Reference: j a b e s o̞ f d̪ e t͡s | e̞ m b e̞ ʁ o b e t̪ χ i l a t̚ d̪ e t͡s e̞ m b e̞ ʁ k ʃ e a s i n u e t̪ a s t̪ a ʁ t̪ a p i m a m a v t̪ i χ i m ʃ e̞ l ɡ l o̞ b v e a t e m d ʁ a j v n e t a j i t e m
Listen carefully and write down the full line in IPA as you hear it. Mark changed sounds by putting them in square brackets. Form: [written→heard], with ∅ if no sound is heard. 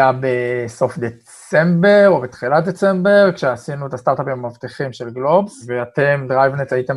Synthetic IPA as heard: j a b e s o̞ f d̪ e t͡s | e̞ m b e̞ ʁ o b e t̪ χ i l a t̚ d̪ e t͡s e̞ m b e̞ ʁ k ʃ e a s i n u e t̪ a s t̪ a ʁ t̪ a p i m a m a v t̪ i χ i m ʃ e̞ l ɡ l o̞ b v e a t e m d ʁ a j v n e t a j i t e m